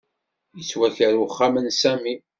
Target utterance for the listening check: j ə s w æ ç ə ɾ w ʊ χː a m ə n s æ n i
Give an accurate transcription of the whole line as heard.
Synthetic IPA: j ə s w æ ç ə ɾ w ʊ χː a m ə n s æ m i